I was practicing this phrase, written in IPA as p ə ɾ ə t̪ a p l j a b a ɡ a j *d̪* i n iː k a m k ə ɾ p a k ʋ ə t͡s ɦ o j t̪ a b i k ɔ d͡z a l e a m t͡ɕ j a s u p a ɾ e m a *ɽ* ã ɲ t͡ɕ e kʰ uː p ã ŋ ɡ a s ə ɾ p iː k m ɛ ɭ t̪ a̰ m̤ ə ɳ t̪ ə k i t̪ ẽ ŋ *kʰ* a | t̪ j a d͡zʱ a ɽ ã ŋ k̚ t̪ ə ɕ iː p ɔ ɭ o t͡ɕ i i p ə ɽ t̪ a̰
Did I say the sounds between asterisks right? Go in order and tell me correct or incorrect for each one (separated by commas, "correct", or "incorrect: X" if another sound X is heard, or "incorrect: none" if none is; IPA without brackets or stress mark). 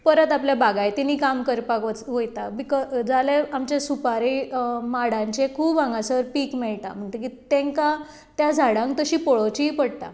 incorrect: t̪, correct, incorrect: k